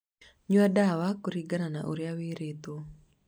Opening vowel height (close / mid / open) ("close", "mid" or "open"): close